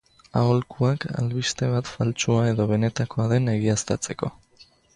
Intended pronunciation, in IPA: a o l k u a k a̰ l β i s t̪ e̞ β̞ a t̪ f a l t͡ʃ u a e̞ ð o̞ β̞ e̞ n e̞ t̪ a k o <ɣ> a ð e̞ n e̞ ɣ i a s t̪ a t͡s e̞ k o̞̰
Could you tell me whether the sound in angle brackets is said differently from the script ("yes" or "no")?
yes